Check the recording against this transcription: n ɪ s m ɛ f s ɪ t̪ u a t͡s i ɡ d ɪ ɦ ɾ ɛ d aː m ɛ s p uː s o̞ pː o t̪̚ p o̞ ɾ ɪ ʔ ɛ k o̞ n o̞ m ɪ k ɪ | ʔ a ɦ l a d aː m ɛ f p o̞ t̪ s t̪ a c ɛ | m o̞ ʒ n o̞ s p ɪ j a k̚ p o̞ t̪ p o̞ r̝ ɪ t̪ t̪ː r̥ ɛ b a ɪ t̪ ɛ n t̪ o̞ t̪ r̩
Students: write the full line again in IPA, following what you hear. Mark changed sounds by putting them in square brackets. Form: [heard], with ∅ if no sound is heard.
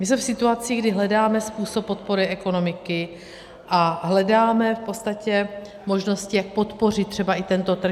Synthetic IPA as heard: [m] ɪ s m ɛ f s ɪ t̪ u a t͡s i ɡ d ɪ ɦ [l] ɛ d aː m ɛ s p uː s o̞ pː o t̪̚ p o̞ ɾ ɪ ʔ ɛ k o̞ n o̞ m ɪ k ɪ | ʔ a ɦ l [ɛ] d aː m ɛ f p o̞ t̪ s t̪ a c ɛ | m o̞ ʒ n o̞ s [c] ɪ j a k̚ p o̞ t̪ p o̞ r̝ ɪ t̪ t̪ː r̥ ɛ b a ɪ t̪ ɛ n t̪ o̞ t̪ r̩